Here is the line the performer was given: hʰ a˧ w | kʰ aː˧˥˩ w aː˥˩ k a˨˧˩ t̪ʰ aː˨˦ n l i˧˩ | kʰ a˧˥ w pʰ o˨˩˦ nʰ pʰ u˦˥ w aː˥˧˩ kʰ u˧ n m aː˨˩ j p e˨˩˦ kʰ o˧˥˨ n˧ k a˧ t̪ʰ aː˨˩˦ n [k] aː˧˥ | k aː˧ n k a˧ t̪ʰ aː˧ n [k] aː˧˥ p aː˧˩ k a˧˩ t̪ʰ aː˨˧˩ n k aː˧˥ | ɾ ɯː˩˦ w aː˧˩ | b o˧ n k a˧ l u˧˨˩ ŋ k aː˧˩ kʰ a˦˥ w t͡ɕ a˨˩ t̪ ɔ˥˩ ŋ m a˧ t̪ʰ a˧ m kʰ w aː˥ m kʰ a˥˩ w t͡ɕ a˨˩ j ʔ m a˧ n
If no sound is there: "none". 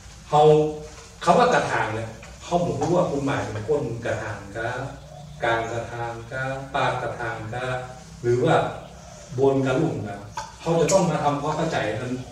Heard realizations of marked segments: k, k

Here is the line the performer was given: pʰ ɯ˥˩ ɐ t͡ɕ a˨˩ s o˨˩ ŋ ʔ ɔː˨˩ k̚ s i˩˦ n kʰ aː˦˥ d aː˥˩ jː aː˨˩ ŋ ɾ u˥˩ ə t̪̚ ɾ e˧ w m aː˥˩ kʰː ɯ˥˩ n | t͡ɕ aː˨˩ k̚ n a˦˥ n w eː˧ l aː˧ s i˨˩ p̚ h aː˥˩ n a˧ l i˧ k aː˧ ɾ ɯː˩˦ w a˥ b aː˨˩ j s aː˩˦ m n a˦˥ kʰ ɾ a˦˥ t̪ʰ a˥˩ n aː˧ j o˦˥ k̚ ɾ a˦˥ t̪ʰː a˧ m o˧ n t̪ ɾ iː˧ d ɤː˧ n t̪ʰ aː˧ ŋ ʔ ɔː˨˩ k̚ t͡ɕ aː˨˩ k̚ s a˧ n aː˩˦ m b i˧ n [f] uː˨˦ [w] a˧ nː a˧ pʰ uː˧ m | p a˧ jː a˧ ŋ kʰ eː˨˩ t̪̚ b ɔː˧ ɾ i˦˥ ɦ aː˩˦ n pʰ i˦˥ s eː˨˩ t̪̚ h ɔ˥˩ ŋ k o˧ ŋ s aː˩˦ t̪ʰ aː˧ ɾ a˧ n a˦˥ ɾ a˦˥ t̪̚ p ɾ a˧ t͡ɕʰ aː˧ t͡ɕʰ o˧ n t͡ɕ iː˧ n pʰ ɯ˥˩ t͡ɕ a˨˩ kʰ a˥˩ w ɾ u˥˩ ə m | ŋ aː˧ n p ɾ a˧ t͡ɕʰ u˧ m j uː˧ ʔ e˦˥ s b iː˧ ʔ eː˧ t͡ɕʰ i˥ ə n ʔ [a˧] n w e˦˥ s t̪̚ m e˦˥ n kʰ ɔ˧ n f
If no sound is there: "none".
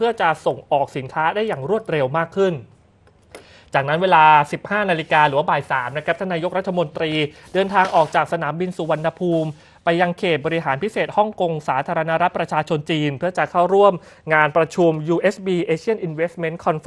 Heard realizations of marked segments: s, w, i˧

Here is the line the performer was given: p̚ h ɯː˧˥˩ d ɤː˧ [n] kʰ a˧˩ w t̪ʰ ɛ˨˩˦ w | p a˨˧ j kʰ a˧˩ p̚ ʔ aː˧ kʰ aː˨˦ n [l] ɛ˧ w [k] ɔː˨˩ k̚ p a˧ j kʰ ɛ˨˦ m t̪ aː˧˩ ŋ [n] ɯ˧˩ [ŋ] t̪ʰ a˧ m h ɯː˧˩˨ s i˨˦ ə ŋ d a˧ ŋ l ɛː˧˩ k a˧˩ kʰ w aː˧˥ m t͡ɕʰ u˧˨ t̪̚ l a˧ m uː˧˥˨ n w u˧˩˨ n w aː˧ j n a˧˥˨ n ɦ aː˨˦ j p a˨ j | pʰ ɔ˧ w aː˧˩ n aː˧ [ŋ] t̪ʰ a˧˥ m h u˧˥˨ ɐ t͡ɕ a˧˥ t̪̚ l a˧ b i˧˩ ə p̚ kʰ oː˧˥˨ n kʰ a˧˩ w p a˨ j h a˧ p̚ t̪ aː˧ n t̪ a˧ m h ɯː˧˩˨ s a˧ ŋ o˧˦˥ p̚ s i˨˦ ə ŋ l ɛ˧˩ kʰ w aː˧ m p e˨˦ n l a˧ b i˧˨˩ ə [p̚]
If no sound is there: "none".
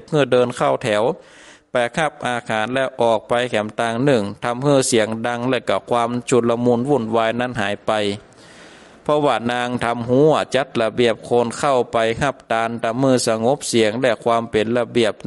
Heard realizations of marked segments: n, l, ʔ, n, ŋ, ŋ, p̚

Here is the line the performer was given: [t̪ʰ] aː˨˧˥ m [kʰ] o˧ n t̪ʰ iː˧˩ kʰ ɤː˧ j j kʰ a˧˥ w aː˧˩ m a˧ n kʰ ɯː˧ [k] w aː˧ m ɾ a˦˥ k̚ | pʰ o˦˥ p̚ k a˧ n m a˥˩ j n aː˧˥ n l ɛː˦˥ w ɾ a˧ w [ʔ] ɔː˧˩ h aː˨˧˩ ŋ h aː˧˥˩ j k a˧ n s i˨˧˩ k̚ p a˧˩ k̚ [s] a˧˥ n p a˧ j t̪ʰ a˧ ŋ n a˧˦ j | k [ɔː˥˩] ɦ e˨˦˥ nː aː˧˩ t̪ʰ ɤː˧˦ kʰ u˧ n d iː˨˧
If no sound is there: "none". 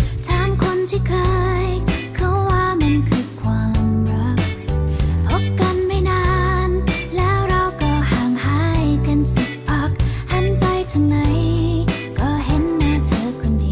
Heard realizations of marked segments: t̪ʰ, kʰ, kʰ, k, h, ɔː˧˩

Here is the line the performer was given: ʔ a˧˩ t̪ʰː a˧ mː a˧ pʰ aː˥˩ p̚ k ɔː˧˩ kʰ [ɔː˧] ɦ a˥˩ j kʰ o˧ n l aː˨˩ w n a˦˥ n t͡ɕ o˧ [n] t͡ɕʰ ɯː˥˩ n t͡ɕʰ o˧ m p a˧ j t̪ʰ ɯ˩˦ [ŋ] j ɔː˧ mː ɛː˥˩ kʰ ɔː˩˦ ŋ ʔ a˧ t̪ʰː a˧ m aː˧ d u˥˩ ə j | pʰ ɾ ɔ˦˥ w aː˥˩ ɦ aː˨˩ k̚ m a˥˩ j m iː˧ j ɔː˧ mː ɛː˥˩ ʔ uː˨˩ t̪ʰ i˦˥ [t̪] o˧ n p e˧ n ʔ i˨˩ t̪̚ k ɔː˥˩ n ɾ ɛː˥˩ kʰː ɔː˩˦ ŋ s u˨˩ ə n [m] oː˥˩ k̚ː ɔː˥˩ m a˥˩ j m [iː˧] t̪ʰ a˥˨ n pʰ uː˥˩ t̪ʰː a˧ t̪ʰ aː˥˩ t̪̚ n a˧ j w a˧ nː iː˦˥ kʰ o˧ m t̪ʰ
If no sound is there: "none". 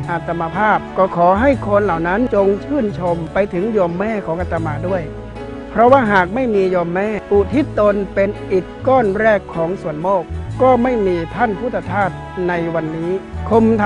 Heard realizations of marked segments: ɔː˩˦, ŋ, ŋ, t̪, m, iː˧

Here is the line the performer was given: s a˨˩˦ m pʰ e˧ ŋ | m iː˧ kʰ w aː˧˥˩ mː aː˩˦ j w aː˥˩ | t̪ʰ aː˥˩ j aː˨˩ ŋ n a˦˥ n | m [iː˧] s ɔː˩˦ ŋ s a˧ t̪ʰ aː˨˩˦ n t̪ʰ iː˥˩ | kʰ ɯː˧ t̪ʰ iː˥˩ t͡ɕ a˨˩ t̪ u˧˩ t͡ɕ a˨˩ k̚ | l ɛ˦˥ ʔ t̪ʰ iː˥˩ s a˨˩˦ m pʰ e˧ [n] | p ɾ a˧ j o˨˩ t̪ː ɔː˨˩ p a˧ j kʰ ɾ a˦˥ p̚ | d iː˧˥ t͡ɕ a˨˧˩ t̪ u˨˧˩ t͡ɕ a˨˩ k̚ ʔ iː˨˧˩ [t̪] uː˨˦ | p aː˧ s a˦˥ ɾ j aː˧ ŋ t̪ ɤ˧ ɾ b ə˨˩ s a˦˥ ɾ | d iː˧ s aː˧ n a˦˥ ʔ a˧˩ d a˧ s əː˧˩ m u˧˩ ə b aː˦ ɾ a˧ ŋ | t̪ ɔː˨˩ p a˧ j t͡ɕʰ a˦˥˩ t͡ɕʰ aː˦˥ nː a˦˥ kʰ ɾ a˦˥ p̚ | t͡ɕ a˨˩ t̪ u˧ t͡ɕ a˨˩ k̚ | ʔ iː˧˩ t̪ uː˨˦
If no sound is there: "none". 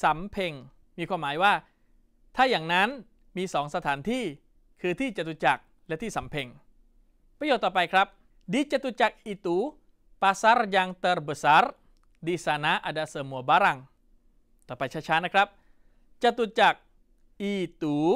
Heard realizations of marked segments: iː˧, ŋ, t̪

